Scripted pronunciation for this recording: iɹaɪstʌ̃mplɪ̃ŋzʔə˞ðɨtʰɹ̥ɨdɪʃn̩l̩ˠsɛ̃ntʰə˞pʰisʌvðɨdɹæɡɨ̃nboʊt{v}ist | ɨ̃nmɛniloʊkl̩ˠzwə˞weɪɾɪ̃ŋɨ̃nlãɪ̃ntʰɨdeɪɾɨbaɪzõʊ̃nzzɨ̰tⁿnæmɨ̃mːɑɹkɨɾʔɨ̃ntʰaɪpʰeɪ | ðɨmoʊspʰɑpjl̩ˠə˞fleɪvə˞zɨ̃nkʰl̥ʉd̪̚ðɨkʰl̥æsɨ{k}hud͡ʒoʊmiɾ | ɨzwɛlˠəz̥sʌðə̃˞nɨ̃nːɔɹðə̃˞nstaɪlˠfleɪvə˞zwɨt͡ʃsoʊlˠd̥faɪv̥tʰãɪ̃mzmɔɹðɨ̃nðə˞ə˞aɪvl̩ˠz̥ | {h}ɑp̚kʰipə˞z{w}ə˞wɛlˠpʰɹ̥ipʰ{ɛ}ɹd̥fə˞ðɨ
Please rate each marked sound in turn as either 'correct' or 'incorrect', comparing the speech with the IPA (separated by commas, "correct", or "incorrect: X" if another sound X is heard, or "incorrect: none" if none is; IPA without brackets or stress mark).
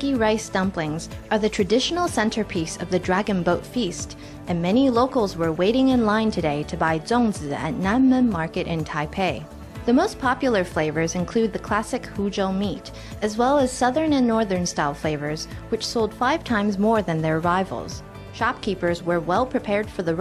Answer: incorrect: f, correct, incorrect: ʃ, correct, correct